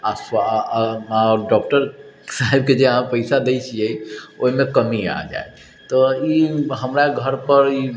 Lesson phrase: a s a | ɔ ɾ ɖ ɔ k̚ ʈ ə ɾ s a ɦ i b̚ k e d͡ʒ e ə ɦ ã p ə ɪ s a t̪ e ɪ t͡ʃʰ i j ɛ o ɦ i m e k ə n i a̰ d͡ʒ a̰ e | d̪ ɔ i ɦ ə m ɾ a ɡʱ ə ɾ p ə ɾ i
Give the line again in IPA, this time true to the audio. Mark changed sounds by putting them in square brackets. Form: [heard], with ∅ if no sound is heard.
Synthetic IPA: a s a | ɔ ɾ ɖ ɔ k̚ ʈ ə ɾ s a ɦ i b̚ k e d͡ʒ e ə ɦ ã p ə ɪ s a [d̪] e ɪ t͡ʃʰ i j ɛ o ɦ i m e k ə [m] i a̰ d͡ʒ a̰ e | [t̪] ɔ i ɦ ə m ɾ a ɡʱ ə ɾ p ə ɾ i